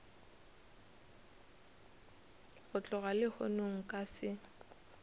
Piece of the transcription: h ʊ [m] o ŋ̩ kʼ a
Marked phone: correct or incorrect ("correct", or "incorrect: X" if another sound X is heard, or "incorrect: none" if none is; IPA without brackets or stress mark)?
incorrect: n